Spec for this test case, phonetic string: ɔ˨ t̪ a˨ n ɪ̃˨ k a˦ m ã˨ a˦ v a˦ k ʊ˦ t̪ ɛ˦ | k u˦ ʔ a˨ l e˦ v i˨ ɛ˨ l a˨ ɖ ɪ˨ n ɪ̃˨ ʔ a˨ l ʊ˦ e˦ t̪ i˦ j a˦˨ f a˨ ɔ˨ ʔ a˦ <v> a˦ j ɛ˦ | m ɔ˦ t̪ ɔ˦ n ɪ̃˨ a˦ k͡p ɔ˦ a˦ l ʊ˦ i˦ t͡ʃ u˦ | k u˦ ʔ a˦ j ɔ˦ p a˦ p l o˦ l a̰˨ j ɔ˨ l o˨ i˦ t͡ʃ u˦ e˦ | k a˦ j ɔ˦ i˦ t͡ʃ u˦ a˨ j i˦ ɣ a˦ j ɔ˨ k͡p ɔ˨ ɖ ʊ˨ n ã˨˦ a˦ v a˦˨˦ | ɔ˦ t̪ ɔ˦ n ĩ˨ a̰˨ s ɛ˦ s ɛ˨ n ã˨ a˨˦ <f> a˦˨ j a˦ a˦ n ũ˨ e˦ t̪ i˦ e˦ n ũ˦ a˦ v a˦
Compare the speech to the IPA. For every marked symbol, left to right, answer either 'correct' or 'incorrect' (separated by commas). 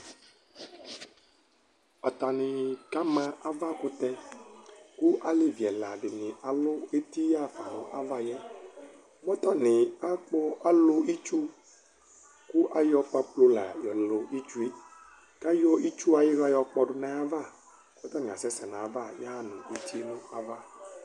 correct, incorrect